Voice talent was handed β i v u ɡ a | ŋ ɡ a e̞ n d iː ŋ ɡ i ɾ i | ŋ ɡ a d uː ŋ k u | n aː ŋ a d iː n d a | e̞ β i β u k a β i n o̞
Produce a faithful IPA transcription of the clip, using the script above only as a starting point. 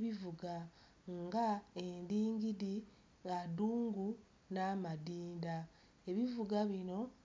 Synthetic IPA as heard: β i v u ɡ a | ŋ ɡ a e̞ n d iː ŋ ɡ i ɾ i | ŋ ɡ a d uː ŋ ɡ u | n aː m a d iː n d a | e̞ β i v u ɡ a β i n o̞